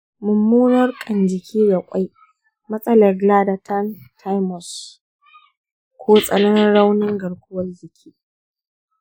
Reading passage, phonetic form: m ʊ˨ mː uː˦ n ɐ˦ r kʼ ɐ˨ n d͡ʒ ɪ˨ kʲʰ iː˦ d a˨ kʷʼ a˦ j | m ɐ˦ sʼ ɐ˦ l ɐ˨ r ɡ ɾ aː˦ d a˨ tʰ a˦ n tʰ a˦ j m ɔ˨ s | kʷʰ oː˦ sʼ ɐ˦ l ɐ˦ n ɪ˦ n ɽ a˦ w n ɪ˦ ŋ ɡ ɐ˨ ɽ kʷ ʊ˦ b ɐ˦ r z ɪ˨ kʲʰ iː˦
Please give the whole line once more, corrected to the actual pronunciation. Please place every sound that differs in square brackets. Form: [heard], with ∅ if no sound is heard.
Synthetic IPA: m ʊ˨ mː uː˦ n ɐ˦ r kʼ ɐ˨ n d͡ʒ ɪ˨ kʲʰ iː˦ d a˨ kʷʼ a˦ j | m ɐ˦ sʼ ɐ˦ l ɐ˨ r ɡ [l] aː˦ d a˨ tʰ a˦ n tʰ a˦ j m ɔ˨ s | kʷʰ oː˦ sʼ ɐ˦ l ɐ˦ n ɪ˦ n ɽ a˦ w n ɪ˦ ŋ ɡ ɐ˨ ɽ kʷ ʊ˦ [w] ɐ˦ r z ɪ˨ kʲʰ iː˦